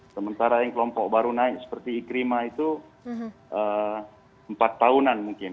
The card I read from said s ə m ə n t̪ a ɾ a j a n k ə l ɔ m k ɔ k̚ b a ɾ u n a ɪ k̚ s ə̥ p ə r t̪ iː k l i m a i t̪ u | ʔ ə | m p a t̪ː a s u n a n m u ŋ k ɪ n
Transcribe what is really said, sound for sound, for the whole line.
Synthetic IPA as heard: s ə m ə n t̪ a ɾ a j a ŋ k ə l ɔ m p ɔ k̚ b a ɾ u n a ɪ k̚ s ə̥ p ə r t̪ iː k ɾ i m a i t̪ u | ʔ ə | m p a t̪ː a u n a n m u ŋ k ɪ n